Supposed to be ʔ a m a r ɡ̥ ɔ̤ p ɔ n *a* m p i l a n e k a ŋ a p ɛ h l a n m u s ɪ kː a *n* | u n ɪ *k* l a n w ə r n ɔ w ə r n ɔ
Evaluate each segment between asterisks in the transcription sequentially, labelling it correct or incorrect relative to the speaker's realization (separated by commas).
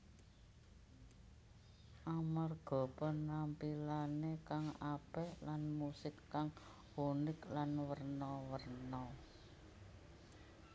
correct, incorrect, correct